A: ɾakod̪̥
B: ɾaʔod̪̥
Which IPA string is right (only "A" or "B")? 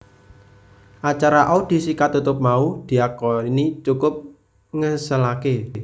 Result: B